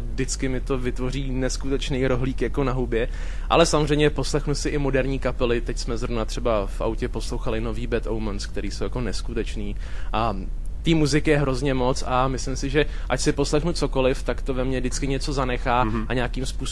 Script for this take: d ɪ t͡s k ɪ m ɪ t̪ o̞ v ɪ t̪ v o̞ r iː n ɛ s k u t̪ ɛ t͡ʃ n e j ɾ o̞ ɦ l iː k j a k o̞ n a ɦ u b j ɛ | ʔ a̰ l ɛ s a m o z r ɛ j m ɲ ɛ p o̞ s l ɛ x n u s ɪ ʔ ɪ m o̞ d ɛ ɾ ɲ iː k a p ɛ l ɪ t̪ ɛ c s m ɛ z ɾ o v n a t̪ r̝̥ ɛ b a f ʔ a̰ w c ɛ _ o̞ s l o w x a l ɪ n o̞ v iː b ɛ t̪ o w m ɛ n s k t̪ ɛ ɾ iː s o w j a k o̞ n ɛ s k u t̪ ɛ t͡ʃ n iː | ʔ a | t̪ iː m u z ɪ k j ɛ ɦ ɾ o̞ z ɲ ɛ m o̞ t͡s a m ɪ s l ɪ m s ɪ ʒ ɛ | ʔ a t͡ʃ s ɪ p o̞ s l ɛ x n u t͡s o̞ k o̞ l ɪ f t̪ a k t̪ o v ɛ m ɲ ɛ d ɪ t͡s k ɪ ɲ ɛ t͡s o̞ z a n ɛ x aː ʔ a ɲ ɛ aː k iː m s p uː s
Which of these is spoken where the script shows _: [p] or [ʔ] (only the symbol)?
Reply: p